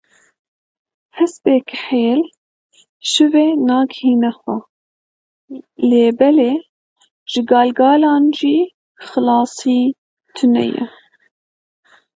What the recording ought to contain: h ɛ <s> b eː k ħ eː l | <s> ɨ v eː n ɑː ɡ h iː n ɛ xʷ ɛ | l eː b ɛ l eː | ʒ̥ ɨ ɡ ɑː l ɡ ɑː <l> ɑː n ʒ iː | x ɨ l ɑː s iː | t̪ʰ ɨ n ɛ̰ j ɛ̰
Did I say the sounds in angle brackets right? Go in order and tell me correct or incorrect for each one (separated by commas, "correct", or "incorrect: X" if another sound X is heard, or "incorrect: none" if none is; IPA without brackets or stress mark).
correct, incorrect: ʃ, correct